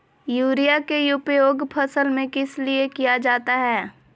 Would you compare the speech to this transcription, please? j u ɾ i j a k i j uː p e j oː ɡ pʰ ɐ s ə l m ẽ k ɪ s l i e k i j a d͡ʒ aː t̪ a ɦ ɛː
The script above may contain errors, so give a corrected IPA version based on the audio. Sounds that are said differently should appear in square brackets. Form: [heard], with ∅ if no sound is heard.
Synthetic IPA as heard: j [uː] ɾ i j a k [e] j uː p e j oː ɡ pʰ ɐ s ə l m ẽ k ɪ s l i e k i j a d͡ʒ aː t̪ a ɦ ɛː